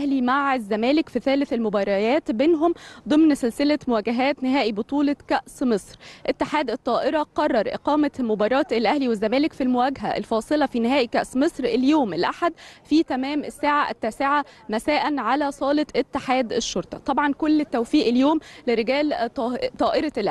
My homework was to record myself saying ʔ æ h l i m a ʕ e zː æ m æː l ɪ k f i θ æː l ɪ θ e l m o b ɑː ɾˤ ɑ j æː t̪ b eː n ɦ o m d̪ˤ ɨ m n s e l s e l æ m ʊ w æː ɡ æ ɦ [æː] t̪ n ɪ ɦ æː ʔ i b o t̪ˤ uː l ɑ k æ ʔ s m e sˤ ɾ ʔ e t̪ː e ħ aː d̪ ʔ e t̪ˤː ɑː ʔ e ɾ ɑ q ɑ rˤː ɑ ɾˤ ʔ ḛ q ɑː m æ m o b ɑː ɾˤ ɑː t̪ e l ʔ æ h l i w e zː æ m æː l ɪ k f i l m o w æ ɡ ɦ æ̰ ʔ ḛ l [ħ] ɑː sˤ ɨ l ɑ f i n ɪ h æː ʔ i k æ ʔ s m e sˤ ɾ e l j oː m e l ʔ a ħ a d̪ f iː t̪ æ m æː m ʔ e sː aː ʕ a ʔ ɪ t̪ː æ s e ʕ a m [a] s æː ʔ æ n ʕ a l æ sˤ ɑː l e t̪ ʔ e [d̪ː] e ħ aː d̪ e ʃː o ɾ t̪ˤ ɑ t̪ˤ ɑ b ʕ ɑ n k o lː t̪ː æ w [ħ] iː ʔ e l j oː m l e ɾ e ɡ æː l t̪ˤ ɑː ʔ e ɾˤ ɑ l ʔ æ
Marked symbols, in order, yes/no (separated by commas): yes, no, no, no, no